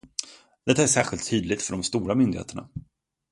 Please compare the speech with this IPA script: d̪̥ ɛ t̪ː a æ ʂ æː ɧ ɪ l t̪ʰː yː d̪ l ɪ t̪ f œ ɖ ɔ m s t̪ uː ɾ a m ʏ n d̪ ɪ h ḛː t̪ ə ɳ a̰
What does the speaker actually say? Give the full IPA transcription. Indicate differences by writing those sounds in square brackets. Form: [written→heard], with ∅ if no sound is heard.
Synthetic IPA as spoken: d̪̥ ɛ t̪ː a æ ʂ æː ɧ ɪ l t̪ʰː yː d̪ l ɪ t̪ f œ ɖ ɔ m s t̪ uː ɾ a m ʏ n d̪ ɪ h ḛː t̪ ə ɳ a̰